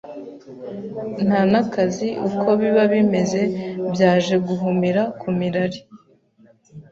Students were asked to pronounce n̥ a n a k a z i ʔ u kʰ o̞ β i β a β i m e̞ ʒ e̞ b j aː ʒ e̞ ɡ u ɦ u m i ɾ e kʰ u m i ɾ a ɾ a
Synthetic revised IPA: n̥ a n a k a z i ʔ u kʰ o̞ β i β a β i m e̞ z e̞ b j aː ʒ e̞ ɡ u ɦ u m i ɾ a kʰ u m i ɾ a ɾ i

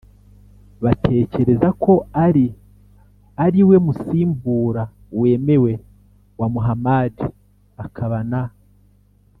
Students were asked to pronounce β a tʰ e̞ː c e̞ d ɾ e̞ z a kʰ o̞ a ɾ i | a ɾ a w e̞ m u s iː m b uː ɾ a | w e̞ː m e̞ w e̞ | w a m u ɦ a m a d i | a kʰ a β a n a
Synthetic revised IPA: β a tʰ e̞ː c e̞ ɾ e̞ z a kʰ o̞ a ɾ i | a ɾ i w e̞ m u s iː m b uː ɾ a | w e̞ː m e̞ w e̞ | w a m u ɦ a m a d i | a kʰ a β a n a

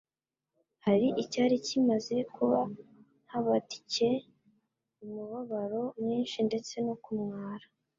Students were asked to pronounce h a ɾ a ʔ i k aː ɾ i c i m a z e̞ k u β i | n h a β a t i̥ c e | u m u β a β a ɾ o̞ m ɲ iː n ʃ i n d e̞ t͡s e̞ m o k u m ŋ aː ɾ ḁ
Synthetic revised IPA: h a ɾ i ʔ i c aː ɾ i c i m a z e̞ k u β a | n h a β a t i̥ c e | u m u β a β a ɾ o̞ m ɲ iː n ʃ i n d e̞ t͡s e̞ n o k u m ŋ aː ɾ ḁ

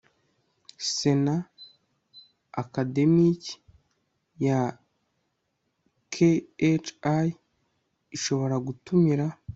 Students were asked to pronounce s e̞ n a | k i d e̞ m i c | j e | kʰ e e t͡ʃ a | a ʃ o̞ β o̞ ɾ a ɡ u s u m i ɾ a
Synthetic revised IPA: s e̞ n a | k a d e̞ m i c | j a | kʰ e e t͡ʃ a | i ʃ o̞ β o̞ ɾ a ɡ u t u m i ɾ a

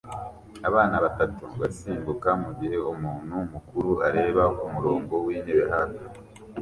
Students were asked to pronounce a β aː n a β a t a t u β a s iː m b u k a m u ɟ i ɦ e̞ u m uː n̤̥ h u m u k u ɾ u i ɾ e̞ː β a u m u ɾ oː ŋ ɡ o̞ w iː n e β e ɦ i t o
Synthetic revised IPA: a β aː n a β a t a t u β a s iː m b u k a m u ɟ i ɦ e̞ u m uː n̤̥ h u m u k u ɾ u a ɾ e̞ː β a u m u ɾ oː ŋ ɡ o̞ w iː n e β e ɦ a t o

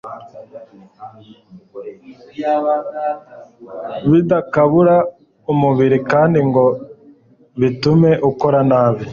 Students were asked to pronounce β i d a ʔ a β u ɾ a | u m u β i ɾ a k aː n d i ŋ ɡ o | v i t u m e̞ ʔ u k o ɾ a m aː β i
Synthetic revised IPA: β i d a k a β u ɾ a | u m u β i ɾ i k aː n d i ŋ ɡ o | β i t u m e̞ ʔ u k o ɾ a n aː β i

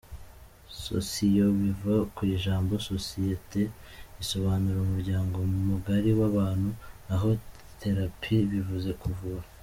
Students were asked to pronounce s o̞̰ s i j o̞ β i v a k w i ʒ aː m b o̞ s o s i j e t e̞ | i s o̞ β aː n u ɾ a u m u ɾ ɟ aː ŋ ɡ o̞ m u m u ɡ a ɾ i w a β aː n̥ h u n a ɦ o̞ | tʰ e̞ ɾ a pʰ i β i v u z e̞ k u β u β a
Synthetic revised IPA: s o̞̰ s i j o̞ β i v a k w i ʒ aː m b o̞ s o s i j e t e̞ | i s o̞ β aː n u ɾ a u m u ɾ ɟ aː ŋ ɡ o̞ m u m u ɡ a ɾ i w a β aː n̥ h u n a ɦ o̞ | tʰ e̞ ɾ a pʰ i β i v u z e̞ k u v u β a

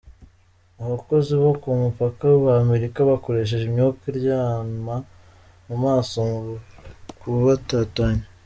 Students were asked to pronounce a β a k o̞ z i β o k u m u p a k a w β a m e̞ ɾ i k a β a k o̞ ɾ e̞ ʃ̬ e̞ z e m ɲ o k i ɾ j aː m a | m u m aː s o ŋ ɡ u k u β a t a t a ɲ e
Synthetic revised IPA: a β a k o̞ z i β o k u m u p a k a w β a m e̞ ɾ i k a β a k o̞ ɾ e̞ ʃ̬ e̞ ʒ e m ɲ o k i ɾ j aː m a | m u m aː s o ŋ ɡ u k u β a t a t a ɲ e

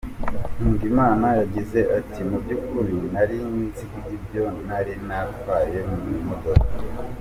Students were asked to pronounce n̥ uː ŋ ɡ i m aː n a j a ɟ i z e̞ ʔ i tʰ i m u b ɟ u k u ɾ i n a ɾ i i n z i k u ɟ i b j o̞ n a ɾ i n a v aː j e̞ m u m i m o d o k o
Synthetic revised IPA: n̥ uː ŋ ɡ i m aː n a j a ɟ i z e̞ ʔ a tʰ i m u b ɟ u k u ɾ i n a ɾ i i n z i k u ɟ i b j o̞ n a ɾ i n a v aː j e̞ m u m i m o d o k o

